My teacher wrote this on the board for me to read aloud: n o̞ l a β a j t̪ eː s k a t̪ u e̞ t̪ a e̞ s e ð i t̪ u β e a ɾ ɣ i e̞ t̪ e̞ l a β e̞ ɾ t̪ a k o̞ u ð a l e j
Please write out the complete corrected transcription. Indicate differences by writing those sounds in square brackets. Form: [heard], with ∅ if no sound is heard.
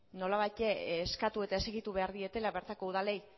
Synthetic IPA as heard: n o̞ l a β a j t̪ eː s k a t̪ u e̞ t̪ a e̞ s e [ɣ] i t̪ u β e a ɾ [ð] i e̞ t̪ e̞ l a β e̞ ɾ t̪ a k o̞ u ð a l e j